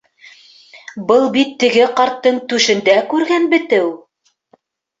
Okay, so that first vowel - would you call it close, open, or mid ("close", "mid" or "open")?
mid